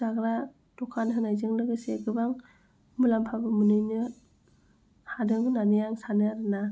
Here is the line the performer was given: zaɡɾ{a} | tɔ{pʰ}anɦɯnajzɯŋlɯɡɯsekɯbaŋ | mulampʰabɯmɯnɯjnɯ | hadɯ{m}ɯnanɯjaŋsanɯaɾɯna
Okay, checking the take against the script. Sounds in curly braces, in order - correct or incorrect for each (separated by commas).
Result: correct, incorrect, incorrect